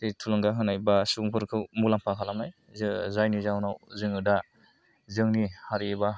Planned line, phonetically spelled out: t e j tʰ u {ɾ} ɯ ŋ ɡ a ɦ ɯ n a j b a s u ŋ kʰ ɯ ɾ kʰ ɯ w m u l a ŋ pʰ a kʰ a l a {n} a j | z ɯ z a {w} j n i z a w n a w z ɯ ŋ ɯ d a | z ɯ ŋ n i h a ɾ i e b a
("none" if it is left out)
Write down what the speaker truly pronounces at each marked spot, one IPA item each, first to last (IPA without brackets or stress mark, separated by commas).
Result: l, m, none